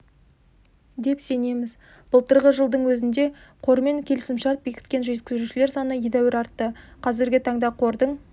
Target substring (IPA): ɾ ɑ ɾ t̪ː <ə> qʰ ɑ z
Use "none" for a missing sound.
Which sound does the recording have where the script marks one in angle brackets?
ə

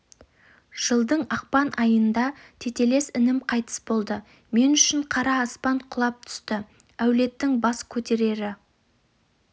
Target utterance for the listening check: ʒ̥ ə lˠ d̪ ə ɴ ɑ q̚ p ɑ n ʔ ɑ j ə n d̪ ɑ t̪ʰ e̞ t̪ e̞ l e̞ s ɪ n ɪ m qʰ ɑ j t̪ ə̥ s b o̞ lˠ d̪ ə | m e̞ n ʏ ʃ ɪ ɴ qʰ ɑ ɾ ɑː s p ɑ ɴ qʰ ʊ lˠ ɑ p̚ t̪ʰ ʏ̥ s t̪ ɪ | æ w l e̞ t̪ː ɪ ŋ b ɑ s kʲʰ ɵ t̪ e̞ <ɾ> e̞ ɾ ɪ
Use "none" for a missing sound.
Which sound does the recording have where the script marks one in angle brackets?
ɾ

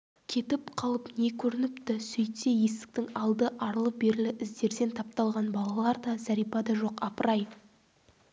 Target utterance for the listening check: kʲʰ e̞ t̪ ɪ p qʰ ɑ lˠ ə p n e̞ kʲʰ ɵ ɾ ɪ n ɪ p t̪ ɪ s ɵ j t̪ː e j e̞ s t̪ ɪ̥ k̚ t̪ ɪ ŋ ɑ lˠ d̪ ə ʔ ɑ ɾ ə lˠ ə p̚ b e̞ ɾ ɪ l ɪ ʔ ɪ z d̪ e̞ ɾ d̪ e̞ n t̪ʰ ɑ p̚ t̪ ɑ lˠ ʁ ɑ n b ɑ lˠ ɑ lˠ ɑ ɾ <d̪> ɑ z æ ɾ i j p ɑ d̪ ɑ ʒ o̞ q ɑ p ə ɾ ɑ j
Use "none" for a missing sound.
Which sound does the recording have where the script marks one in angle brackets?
d̪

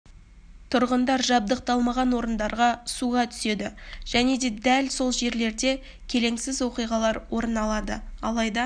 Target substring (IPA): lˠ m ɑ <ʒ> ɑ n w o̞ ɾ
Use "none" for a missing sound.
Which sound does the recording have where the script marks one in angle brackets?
ʁ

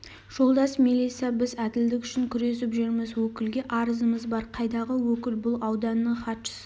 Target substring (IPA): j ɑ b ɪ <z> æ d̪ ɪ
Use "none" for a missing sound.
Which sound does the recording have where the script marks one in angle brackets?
z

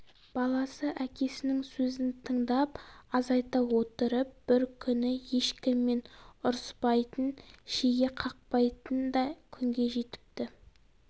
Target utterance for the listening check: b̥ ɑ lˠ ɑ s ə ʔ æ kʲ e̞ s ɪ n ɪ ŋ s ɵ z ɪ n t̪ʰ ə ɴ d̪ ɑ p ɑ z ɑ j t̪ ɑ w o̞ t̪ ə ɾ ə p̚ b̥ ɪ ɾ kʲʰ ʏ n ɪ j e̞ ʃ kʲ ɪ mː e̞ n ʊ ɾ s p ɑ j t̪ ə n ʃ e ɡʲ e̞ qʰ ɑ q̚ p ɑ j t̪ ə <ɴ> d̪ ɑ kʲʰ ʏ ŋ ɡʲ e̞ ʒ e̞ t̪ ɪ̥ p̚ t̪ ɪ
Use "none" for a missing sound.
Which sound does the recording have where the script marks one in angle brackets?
n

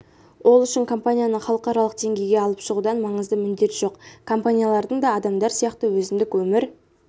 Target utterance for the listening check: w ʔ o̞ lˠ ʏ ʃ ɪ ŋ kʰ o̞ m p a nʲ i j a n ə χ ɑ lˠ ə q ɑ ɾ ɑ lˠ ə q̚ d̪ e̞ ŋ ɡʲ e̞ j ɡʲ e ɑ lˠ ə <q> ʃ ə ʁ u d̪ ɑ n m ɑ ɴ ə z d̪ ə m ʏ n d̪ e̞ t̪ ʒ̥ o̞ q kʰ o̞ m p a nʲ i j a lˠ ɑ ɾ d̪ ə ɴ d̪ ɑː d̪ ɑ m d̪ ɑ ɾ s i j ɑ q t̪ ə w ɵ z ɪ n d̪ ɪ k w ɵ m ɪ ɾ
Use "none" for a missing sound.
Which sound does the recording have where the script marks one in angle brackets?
p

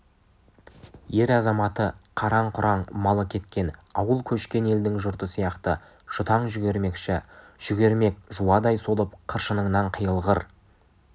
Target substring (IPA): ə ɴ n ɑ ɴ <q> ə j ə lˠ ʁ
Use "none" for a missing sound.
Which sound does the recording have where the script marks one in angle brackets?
qʰ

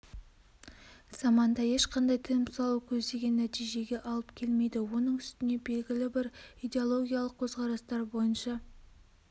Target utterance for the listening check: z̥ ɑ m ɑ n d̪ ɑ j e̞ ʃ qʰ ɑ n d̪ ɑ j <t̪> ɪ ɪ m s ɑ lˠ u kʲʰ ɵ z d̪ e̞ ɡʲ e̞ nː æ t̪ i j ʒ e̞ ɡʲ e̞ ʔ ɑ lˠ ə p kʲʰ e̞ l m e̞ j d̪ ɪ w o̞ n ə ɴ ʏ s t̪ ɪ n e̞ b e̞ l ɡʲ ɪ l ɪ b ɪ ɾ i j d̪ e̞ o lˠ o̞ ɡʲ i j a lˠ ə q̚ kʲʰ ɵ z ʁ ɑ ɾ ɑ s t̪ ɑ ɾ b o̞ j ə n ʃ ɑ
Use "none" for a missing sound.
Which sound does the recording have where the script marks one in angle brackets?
t̪ʰ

